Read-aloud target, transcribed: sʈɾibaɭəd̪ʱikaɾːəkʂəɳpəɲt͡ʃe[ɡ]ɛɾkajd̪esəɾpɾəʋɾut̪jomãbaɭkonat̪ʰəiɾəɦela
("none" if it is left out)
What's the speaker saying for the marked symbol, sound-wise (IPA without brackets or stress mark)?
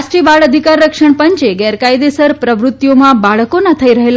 ɡ